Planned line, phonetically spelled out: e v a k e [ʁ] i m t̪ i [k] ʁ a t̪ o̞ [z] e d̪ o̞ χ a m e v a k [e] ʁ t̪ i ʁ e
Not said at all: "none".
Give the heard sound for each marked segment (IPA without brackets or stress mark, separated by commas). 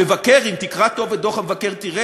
ʁ, k, v, e